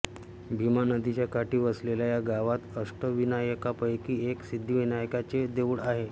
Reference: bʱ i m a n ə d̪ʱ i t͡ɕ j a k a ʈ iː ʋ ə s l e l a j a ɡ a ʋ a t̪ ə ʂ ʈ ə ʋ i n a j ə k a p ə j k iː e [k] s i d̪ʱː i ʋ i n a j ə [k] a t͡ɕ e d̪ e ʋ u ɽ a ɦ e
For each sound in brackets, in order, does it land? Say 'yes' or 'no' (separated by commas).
yes, yes